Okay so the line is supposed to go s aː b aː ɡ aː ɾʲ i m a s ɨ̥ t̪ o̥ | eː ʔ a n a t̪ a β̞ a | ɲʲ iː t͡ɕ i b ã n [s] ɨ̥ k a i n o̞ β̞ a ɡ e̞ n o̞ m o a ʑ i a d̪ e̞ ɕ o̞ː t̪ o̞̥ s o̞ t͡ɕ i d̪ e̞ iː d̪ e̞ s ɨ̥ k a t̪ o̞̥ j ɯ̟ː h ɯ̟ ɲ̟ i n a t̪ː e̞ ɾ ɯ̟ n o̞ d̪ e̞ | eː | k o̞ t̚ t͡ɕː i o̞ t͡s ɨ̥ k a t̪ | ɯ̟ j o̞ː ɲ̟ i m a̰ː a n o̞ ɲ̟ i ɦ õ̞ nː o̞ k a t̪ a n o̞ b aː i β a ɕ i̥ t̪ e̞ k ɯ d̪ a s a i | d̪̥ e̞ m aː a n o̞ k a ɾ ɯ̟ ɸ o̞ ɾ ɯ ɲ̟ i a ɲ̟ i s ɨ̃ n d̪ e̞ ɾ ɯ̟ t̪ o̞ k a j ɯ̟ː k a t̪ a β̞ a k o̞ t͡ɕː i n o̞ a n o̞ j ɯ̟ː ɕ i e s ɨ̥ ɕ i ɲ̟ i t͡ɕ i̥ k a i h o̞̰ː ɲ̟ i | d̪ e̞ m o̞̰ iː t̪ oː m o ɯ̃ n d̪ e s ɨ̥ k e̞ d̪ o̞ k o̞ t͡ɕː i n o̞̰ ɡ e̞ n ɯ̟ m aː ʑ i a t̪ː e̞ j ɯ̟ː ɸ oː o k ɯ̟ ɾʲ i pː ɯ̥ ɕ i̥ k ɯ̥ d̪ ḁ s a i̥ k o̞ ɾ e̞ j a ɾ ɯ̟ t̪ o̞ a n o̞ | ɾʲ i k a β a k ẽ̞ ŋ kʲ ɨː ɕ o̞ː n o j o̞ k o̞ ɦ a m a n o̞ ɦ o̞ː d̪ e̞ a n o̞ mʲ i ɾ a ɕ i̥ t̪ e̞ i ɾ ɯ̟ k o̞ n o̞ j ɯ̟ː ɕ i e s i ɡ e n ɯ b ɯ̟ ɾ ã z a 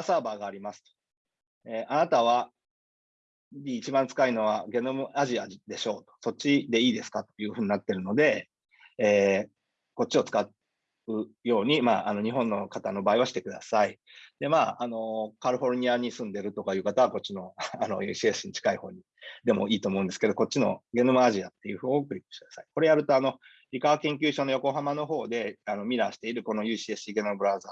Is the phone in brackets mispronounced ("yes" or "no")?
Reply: yes